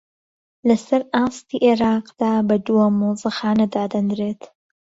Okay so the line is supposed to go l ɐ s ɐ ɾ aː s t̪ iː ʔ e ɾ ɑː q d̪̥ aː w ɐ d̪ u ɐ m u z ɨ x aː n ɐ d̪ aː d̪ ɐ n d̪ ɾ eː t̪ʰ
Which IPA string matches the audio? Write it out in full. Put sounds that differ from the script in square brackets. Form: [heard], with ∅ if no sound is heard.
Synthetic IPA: l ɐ s ɐ ɾ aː s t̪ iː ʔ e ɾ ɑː q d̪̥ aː [b] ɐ d̪ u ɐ m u z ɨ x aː n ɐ d̪ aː d̪ ɐ n d̪ ɾ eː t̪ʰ